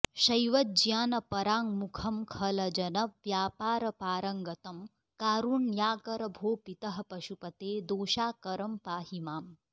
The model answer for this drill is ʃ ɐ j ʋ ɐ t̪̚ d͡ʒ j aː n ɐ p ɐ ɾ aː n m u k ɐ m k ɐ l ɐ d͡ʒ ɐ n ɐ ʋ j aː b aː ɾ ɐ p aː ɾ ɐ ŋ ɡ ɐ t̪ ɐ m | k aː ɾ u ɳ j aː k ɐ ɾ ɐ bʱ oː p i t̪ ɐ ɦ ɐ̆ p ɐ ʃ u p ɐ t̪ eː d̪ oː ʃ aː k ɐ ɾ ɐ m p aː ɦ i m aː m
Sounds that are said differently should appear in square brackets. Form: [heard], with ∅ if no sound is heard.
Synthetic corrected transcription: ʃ ɐ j ʋ ɐ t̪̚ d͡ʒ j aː n ɐ p ɐ ɾ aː [ŋ] m u [kʰ] ɐ m [kʰ] ɐ l ɐ d͡ʒ ɐ n ɐ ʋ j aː [p] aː ɾ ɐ p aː ɾ ɐ ŋ ɡ ɐ t̪ ɐ m | k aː ɾ u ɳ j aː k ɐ ɾ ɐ bʱ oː p i t̪ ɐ ɦ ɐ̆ p ɐ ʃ u p ɐ t̪ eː d̪ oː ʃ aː k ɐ ɾ ɐ m p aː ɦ i m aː m